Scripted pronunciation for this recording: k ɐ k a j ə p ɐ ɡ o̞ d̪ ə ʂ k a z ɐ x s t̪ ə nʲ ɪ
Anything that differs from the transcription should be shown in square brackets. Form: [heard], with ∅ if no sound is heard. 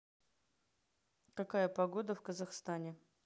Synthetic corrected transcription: k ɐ k a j ə p ɐ ɡ o̞ d̪ ə [f] k [ə] z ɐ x s t̪ [a] nʲ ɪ